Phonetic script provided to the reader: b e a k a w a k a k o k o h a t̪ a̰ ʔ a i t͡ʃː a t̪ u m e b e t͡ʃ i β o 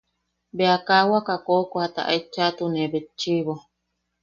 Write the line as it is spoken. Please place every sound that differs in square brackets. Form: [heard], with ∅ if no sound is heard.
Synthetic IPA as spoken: b e a k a w a k a k o k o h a t̪ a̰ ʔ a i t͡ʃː a t̪ u [n] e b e t͡ʃ i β o